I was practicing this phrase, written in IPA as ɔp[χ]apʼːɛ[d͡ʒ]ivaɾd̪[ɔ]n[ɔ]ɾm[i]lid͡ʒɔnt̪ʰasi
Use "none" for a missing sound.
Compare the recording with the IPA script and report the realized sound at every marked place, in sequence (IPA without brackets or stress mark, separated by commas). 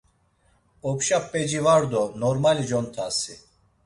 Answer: ʃ, d͡ʒ, ɔ, ɔ, a